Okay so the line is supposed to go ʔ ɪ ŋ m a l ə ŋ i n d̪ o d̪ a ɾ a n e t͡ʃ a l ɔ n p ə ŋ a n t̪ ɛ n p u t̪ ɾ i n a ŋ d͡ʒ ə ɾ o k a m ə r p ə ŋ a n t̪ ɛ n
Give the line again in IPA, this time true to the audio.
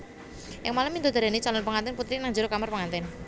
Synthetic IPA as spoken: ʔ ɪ ŋ m a l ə m i n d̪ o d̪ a ɾ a n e t͡ʃ a l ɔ n p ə ŋ a n t̪ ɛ n p u t̪ ɾ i n a ŋ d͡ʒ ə ɾ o k a m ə r p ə ŋ a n t̪ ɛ n

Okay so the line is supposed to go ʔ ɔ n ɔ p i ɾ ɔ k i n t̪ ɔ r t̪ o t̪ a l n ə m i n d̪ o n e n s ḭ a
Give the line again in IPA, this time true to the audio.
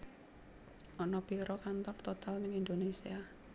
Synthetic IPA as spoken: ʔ ɔ n ɔ p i ɾ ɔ k a n t̪ ɔ r t̪ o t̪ a l n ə ŋ i n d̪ o n e s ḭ a

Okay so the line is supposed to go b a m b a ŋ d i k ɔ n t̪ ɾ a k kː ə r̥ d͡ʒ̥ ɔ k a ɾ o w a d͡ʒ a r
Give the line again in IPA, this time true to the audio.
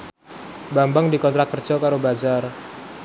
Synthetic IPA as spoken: b a m b a ŋ d i k ɔ n t̪ ɾ a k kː ə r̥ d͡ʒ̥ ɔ k a ɾ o b a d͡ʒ a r

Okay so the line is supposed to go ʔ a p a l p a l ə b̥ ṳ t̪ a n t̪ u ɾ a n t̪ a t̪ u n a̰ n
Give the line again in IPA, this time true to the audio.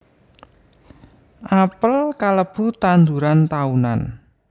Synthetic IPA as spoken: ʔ a p ə l k a l ə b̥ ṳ t̪ a n d̪ u ɾ a n t̪ a u n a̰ n

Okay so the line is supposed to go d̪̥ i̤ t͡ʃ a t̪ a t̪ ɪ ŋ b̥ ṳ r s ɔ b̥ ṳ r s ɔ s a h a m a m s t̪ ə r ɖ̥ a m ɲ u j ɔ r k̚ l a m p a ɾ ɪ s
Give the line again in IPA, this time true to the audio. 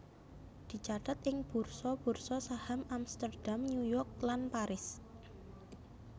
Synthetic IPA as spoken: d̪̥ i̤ t͡ʃ a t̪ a t̪ ɪ ŋ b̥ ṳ r s ɔ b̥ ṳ r s ɔ s a h a m a m s t̪ ə r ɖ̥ a m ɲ u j ɔ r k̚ l a n p a ɾ ɪ s

